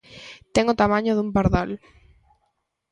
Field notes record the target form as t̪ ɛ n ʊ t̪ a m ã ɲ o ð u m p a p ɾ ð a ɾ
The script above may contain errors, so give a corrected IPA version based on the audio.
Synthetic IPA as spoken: t̪ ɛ ŋ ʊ t̪ a m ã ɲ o ð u m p a ɾ ð a l